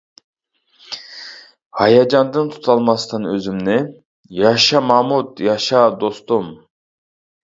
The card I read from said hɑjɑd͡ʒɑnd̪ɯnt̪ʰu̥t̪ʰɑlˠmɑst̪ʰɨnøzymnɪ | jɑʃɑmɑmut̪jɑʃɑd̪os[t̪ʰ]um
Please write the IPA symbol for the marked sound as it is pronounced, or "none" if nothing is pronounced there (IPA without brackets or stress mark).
t̪